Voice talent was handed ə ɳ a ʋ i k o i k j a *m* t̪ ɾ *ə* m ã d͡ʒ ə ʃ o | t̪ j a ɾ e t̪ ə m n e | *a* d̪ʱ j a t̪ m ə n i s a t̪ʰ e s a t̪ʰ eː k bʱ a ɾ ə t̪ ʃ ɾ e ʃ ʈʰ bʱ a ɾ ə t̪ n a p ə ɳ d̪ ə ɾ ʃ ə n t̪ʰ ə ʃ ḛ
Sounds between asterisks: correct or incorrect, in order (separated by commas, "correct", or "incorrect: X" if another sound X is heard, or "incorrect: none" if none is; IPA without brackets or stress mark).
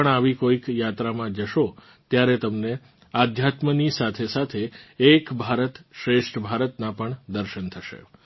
incorrect: none, incorrect: a, correct